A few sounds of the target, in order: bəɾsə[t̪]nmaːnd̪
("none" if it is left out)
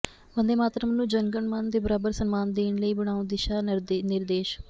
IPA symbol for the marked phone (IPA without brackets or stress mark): none